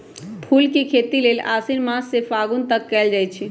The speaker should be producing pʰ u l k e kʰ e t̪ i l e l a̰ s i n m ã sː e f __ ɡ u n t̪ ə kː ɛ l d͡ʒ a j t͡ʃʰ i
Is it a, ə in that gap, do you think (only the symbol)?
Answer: a